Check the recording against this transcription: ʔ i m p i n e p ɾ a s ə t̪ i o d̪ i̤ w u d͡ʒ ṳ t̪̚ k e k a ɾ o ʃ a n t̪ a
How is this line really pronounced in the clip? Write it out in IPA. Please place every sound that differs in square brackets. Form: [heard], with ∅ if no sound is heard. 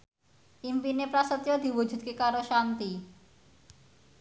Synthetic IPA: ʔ i m p i n e p ɾ a s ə t̪ [j] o d̪ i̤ w u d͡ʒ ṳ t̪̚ k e k a ɾ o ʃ a n t̪ [i]